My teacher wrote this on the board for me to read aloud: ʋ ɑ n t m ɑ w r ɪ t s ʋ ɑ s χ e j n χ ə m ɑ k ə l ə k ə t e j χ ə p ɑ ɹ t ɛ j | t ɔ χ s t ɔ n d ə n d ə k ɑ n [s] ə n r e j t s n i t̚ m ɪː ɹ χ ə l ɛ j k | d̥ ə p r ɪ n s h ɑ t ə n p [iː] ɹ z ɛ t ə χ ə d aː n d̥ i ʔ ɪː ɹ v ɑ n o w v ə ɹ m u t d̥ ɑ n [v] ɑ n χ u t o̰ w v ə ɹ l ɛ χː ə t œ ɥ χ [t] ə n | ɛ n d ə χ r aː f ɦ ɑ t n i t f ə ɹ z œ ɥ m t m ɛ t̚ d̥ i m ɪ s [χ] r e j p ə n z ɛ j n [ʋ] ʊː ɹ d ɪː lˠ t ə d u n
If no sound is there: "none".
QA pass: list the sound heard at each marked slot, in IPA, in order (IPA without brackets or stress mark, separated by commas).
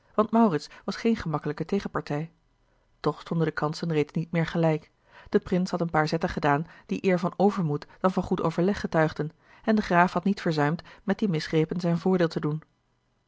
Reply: s, aː, v, d, χ, v